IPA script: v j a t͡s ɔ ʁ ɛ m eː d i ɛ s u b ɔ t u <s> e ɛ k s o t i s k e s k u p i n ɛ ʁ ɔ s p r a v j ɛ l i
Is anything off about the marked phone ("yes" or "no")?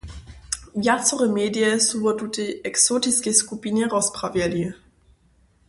yes